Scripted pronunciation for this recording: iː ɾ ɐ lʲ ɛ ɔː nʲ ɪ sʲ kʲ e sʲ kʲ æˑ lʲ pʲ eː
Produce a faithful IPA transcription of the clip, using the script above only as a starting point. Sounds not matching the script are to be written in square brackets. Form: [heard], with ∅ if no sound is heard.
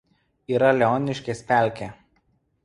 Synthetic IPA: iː ɾ ɐ lʲ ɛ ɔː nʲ ɪ [ʃʲ] kʲ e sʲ [pʲ] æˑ lʲ [kʲ] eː